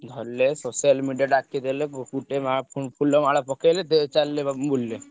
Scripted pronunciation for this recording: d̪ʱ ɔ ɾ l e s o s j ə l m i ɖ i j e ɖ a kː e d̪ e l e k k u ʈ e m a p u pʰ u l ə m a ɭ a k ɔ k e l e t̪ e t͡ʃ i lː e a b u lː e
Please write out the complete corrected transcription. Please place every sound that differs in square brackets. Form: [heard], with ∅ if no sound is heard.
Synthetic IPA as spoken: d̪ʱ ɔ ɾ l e s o s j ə l m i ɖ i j [a] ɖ a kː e d̪ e l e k k u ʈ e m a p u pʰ u l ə m a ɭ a [p] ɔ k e l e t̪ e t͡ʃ [a] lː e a b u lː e